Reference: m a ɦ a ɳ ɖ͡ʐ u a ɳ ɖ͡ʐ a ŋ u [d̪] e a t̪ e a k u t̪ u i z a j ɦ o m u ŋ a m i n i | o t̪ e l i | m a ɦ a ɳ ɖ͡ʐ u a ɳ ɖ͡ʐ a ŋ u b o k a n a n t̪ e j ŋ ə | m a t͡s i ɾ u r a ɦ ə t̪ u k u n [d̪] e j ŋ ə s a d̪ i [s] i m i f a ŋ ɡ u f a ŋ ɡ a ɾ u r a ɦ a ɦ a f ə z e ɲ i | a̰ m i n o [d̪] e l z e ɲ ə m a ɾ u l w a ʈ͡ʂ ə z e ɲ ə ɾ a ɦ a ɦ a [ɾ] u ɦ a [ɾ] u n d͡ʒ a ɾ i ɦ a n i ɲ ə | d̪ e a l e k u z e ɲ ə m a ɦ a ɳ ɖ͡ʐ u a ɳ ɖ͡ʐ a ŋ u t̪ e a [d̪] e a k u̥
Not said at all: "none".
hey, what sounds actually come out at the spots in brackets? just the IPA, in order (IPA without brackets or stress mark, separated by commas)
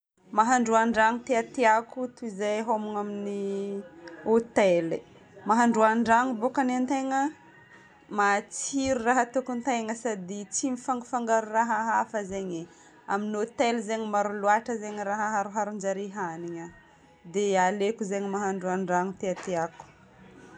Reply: t̪, t̪, t͡s, t̪, ɾ, ɾ, t̪